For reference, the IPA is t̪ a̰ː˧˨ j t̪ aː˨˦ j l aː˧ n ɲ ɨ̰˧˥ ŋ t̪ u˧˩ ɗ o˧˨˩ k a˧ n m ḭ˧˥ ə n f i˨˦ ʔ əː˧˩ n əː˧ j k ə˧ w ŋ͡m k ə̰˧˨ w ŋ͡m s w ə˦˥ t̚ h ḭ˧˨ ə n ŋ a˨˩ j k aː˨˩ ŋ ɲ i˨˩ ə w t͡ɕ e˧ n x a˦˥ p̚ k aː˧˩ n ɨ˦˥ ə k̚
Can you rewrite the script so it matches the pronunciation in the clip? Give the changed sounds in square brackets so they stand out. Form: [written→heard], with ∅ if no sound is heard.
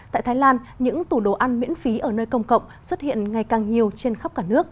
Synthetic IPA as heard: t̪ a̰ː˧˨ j t̪ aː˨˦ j l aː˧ n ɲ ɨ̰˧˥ ŋ t̪ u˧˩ ɗ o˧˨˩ [k→ʔ] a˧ n m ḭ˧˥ ə n f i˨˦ ʔ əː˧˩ n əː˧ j k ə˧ w ŋ͡m k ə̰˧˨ w ŋ͡m s w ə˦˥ t̚ h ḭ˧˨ ə n ŋ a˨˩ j k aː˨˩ ŋ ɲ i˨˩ ə w t͡ɕ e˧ n x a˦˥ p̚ k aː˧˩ n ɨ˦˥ ə k̚